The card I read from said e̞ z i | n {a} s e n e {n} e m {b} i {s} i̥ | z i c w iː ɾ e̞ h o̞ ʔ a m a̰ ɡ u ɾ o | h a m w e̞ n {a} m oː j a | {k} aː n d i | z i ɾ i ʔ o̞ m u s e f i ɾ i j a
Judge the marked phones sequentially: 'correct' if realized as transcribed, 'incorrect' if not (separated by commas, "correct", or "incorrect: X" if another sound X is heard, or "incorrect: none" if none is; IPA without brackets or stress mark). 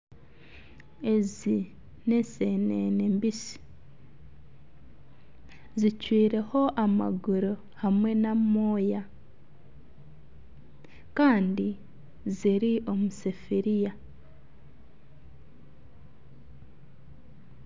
incorrect: e, correct, correct, correct, correct, correct